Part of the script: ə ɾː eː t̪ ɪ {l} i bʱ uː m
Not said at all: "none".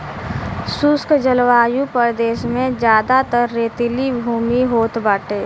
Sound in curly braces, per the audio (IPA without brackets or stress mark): l